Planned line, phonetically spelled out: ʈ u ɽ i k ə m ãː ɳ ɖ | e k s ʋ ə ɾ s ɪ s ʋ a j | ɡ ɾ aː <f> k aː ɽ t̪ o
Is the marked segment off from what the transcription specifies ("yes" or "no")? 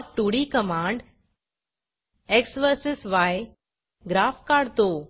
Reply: no